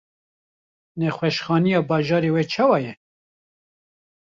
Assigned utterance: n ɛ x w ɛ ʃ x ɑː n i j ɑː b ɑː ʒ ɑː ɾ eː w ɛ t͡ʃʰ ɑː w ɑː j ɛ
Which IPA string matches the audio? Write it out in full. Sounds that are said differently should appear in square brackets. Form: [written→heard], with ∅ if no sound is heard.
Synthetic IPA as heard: n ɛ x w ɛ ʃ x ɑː n i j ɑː b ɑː ʒ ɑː ɾ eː w ɛ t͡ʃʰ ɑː w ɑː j ɛ